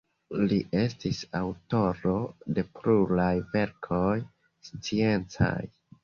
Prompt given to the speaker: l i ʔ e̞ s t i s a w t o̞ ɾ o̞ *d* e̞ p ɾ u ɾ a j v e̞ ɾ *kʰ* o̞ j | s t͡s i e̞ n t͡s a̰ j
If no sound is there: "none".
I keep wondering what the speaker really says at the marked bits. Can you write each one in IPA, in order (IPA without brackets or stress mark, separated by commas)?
d, kʰ